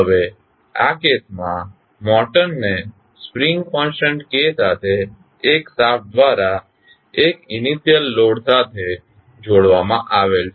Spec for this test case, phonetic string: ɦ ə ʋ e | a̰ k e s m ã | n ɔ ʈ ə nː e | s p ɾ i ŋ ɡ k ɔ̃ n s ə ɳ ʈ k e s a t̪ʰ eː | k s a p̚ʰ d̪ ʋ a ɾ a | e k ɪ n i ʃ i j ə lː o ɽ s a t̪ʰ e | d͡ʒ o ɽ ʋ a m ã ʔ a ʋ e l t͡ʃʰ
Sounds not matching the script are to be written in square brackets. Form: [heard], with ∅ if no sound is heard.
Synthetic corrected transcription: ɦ ə ʋ e | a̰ k e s m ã | [m] ɔ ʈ ə nː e | s p ɾ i ŋ ɡ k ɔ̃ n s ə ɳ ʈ k e s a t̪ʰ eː | k s a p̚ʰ d̪ ʋ a ɾ a | e k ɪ n i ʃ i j ə lː o ɽ s a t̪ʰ e | d͡ʒ o ɽ ʋ a m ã ʔ a ʋ e l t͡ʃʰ